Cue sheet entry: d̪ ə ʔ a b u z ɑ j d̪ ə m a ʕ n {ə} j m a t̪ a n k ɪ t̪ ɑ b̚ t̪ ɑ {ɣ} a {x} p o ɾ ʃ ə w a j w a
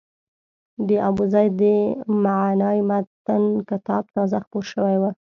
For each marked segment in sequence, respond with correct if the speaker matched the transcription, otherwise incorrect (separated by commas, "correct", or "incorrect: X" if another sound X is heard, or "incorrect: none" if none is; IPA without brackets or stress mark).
incorrect: ɑ, incorrect: z, correct